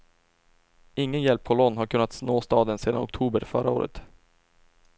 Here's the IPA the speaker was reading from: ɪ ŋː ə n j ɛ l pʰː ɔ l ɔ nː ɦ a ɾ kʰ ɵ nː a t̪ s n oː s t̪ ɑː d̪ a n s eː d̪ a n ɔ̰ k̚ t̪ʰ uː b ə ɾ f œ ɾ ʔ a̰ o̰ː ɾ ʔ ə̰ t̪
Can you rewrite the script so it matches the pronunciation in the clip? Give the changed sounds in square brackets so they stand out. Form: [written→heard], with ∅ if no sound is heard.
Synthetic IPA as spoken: ɪ ŋː ə n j ɛ l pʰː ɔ l ɔ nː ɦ a ɾ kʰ ɵ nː a t̪ s n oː s t̪ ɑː d̪ [a→ə] n s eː d̪ a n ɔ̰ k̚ t̪ʰ uː b ə ɾ f œ ɾ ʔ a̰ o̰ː ɾ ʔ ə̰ t̪

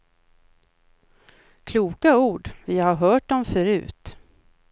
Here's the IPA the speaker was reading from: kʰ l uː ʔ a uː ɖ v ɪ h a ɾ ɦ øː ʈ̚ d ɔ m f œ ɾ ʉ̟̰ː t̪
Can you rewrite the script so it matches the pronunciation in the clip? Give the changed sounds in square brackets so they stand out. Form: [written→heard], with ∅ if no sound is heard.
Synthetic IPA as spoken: kʰ l uː [ʔ→k] a uː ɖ v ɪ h a ɾ ɦ [øː→œː] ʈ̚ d ɔ m f œ ɾ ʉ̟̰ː t̪

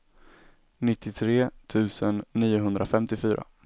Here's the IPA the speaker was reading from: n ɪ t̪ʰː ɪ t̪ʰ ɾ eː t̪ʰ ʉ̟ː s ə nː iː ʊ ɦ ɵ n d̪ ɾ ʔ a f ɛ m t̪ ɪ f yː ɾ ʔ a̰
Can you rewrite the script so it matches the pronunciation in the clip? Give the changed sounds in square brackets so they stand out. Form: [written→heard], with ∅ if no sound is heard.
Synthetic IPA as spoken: n ɪ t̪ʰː ɪ t̪ʰ ɾ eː t̪ʰ ʉ̟ː s ə nː iː ʊ ɦ ɵ n d̪ ɾ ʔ a f ɛ m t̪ ɪ f yː ɾ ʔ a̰

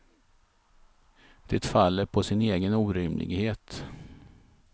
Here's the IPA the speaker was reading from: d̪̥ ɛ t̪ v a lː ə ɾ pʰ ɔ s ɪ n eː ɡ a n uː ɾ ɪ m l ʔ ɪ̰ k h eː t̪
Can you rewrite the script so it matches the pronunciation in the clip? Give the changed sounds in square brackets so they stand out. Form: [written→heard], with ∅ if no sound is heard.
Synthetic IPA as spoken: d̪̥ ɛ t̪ [v→f] a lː ə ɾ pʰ ɔ s ɪ n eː ɡ [a→ə] n uː ɾ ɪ m l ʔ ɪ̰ [k→ɡ] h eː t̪

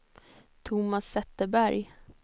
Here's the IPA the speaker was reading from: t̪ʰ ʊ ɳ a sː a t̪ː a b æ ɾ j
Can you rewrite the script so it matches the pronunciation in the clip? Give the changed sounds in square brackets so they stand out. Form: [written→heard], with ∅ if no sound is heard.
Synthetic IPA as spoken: t̪ʰ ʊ [ɳ→m] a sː [a→ɛ] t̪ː [a→ə] b æ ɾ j

